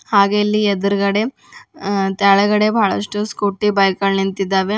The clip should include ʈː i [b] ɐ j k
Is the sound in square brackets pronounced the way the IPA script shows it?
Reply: yes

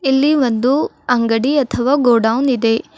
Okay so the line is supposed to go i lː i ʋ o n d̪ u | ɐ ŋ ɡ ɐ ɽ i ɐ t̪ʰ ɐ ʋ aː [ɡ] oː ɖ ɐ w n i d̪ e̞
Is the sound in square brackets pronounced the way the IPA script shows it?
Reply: yes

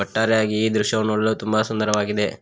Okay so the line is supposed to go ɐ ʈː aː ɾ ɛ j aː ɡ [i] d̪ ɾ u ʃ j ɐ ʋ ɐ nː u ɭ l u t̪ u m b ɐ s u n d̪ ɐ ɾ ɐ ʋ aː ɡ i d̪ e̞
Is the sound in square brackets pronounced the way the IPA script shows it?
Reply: no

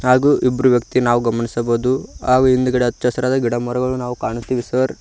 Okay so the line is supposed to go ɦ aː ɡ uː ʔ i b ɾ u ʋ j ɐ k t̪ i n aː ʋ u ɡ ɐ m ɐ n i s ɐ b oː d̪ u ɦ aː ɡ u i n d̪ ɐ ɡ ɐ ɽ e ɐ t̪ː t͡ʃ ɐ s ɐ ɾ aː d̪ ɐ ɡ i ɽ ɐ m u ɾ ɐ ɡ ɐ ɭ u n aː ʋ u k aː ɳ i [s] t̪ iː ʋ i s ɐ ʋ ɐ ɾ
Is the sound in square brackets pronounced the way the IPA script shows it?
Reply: yes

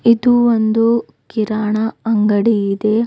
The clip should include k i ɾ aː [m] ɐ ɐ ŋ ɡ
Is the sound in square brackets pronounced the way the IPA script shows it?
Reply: no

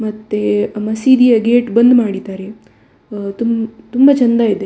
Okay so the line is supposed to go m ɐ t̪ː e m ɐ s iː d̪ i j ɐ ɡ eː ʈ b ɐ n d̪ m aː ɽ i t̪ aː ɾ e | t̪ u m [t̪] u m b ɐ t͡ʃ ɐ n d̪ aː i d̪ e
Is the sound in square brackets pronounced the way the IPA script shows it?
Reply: yes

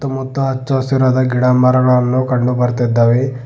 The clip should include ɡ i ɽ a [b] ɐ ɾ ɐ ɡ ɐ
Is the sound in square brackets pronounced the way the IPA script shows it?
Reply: no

